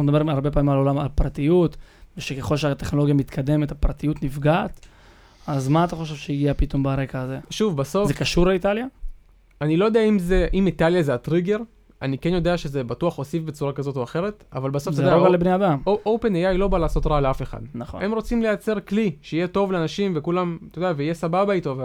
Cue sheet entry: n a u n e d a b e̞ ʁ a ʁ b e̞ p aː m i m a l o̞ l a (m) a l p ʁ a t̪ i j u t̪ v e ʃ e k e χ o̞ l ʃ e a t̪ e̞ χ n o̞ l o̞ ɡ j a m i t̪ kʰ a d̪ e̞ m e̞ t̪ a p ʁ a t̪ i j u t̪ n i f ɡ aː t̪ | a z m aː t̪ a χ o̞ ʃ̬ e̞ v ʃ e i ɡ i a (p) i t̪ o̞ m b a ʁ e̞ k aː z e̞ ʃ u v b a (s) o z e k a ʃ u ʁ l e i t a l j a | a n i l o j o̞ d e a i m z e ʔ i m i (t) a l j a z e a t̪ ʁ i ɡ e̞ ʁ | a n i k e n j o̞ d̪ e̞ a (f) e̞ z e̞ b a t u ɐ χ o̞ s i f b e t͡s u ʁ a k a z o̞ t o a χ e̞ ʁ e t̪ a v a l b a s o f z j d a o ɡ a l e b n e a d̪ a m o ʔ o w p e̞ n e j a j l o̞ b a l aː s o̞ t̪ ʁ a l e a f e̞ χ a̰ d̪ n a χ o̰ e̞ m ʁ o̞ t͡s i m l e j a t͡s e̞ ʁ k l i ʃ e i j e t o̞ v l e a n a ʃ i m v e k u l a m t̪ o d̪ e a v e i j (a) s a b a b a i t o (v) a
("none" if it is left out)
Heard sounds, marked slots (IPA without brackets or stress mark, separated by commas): m, p, s, t, ʃ, e, v